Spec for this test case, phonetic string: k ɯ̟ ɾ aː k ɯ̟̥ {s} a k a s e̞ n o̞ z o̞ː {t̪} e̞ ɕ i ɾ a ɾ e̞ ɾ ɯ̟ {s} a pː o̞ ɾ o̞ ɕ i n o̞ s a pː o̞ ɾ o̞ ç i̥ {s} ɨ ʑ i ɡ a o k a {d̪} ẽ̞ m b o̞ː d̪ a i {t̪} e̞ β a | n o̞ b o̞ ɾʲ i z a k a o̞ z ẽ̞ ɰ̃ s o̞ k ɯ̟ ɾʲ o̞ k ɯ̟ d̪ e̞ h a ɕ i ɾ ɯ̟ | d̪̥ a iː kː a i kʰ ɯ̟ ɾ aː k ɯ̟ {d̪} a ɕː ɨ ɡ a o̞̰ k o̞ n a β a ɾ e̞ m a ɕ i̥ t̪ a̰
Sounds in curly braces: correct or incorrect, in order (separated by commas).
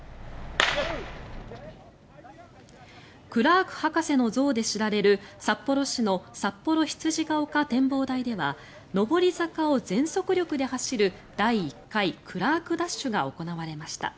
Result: incorrect, incorrect, correct, incorrect, incorrect, incorrect, correct